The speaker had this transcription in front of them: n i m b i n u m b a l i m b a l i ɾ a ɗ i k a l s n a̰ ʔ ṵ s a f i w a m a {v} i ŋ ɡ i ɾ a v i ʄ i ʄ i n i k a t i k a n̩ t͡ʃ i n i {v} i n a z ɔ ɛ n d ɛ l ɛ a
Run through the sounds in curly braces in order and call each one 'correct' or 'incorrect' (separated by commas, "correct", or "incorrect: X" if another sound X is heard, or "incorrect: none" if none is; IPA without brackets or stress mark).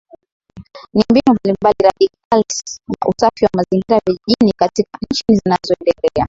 incorrect: z, incorrect: z